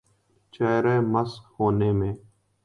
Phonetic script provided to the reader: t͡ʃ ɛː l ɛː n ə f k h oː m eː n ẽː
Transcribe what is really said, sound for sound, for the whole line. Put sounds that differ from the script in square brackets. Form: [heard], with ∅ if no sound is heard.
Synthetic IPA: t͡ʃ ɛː [ɾ] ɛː [m] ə [s] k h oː [n] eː [m] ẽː